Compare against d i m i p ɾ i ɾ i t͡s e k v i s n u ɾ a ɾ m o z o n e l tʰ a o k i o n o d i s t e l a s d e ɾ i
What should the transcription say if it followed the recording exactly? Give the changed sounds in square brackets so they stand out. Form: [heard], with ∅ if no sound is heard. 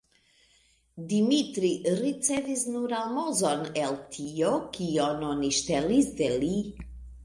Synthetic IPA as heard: d i m i [t] ɾ i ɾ i t͡s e [∅] v i s n u ɾ a [l] m o z o n e l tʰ [i] o k i o n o [n] i [ʃ] t e l [i] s d e [l] i